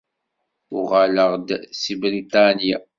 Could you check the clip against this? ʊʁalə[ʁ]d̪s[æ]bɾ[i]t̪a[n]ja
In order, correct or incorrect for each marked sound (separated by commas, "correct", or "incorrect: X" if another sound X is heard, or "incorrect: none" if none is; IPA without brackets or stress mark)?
correct, incorrect: i, correct, correct